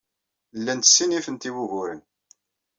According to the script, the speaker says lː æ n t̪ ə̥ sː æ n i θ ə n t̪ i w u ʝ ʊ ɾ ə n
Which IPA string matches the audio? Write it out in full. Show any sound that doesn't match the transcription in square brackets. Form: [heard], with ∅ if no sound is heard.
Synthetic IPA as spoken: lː æ n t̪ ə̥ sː [i] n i [f] ə n t̪ i w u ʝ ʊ ɾ ə n